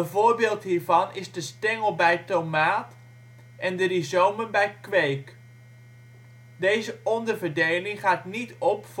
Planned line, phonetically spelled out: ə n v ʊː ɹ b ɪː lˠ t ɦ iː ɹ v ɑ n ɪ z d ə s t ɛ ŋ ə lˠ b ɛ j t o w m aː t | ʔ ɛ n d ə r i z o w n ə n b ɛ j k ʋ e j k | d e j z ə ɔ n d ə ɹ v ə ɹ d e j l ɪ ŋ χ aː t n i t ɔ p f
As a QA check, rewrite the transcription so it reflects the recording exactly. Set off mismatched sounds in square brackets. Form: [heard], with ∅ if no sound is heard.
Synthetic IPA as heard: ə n v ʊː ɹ b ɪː lˠ t ɦ iː ɹ v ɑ n ɪ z d ə s t ɛ ŋ ə lˠ b ɛ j t o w m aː t | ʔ ɛ n d ə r i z o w [m] ə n b ɛ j k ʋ e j k | d e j z ə ɔ n d ə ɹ v ə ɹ d e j l ɪ ŋ χ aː t n i t ɔ p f